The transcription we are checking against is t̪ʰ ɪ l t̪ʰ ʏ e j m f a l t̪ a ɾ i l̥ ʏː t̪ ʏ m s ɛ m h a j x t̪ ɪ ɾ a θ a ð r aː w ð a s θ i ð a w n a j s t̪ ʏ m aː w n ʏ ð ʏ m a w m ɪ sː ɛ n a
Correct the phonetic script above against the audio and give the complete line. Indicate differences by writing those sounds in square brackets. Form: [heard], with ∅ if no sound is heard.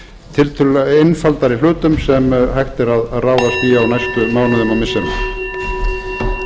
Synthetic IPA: t̪ʰ ɪ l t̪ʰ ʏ e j [n] f a l t̪ a ɾ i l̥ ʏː t̪ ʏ m s ɛ m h a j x t̪ ɪ ɾ a [ð] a ð r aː w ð a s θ i [∅] a w n a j s t̪ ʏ m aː w n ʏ ð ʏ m a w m ɪ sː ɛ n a